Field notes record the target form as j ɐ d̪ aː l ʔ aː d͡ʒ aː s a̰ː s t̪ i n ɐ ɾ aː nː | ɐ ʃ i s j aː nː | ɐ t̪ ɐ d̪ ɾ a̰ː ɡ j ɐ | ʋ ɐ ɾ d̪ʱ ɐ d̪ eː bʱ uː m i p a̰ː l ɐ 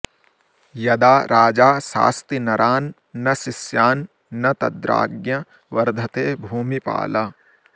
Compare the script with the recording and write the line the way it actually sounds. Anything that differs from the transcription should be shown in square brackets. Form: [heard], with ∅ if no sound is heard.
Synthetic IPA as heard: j ɐ d̪ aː [ɾ] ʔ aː d͡ʒ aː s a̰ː s t̪ i n ɐ ɾ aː nː | ɐ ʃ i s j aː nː | ɐ t̪ ɐ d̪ ɾ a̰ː ɡ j ɐ | ʋ ɐ ɾ d̪ʱ ɐ [t̪] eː bʱ uː m i p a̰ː l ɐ